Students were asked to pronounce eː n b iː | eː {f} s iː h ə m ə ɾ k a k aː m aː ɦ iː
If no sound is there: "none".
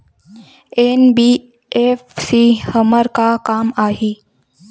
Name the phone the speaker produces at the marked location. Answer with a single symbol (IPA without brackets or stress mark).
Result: f